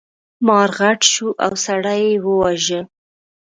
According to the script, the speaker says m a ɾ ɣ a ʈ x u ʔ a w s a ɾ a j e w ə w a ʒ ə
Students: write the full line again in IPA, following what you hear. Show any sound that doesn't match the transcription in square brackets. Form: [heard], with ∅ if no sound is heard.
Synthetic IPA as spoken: m [ɑ] ɾ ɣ a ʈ [ʃ] u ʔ a w s a [ɽ] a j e w ə w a ʒ ə